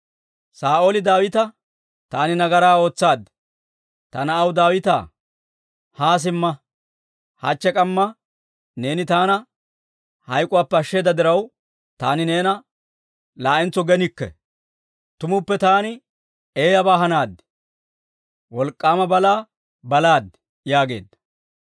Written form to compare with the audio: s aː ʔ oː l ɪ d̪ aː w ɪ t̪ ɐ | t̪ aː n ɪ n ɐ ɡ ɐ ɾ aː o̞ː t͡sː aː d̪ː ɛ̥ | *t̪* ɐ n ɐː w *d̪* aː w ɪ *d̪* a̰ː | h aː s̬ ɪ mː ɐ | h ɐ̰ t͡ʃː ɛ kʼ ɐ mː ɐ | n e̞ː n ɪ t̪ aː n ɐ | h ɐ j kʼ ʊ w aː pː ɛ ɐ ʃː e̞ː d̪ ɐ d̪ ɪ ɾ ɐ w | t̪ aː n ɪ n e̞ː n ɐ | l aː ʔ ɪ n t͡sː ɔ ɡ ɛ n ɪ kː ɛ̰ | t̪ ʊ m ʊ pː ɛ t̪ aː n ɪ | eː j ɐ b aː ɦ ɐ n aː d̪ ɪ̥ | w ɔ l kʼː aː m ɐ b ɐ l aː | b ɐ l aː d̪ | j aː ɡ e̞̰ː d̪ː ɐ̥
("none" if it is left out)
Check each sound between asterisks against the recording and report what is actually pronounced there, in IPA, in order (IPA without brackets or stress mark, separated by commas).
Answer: t̪, d̪, t̪